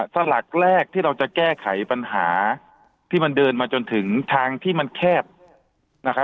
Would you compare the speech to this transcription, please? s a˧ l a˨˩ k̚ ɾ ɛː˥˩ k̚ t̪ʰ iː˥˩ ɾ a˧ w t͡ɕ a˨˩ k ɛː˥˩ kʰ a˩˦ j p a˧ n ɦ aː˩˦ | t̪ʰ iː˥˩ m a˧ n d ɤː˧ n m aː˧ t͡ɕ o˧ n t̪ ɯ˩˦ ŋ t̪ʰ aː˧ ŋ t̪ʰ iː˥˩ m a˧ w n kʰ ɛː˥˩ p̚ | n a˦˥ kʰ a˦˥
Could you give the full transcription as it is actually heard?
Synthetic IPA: s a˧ l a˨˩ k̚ ɾ ɛː˥˩ k̚ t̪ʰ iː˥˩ ɾ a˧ w t͡ɕ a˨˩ k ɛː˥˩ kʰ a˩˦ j p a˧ n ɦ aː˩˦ | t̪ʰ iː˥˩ m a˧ n d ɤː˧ n m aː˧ t͡ɕ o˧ n t̪ʰ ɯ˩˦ ŋ t̪ʰ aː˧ ŋ t̪ʰ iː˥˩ m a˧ n kʰ ɛː˥˩ p̚ | n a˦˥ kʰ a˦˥

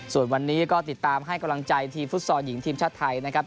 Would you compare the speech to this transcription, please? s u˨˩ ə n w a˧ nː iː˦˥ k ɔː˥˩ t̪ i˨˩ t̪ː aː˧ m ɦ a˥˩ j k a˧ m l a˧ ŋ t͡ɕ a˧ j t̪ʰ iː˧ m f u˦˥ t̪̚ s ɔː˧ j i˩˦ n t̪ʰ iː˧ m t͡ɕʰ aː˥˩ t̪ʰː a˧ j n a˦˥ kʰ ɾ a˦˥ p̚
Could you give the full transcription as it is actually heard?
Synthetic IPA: s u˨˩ ə n w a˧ nː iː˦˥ k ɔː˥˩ t̪ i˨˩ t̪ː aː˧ m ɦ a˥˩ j k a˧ m l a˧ ŋ t͡ɕ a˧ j t̪ʰ iː˧ m f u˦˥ t̪̚ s ɔː˧ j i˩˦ ŋ t̪ʰ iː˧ m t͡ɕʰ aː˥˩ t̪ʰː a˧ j n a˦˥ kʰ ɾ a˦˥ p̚

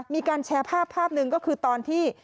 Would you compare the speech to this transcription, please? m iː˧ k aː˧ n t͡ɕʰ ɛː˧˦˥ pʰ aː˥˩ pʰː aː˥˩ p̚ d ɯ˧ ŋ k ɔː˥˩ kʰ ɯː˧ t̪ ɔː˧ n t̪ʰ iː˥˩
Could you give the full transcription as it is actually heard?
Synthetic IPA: m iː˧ k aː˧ n t͡ɕʰ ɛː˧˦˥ pʰ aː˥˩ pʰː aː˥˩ p̚ n ɯ˧ ŋ k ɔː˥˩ kʰ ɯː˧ t̪ ɔː˧ n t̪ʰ iː˥˩

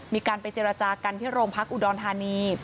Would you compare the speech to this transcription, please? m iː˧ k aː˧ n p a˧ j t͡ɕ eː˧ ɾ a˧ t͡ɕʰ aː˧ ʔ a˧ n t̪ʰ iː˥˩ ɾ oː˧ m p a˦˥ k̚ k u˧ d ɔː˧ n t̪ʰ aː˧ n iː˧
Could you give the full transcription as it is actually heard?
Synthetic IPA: m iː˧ k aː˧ n p a˧ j t͡ɕ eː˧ ɾ a˧ t͡ɕ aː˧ k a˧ n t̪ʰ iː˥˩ ɾ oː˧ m pʰ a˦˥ k̚ ʔ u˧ d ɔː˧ n t̪ʰ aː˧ n iː˧

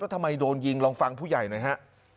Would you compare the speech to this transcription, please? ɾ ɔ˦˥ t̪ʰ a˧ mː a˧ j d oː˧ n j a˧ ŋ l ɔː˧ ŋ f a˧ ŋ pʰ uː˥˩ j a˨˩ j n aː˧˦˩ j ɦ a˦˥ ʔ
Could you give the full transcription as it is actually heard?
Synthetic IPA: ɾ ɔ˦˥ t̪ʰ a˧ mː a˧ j d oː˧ n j i˧ ŋ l ɔː˧ ŋ f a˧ ŋ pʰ uː˥˩ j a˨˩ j n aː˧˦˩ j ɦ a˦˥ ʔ

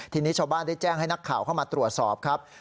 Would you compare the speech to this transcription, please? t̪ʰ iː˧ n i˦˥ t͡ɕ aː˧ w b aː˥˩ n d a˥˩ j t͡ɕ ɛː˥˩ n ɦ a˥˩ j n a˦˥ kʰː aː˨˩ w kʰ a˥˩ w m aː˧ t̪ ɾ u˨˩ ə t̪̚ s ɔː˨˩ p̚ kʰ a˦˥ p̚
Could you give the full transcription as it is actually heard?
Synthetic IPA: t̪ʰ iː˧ n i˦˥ t͡ɕʰ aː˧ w b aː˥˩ n d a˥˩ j t͡ɕ ɛː˥˩ ŋ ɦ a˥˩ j n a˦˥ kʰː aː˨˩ w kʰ a˥˩ w m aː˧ t̪ ɾ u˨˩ ə t̪̚ s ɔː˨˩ p̚ kʰ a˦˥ p̚

